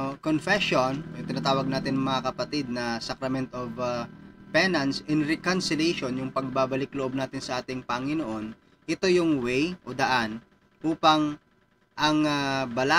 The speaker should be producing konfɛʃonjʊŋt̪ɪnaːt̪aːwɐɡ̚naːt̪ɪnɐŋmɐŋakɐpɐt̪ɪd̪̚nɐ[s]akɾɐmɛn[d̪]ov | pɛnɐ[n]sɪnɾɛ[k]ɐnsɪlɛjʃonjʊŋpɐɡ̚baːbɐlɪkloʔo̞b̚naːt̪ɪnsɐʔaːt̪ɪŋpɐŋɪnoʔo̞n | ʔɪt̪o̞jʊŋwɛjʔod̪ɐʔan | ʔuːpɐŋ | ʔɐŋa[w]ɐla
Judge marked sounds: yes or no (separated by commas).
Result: yes, no, yes, yes, no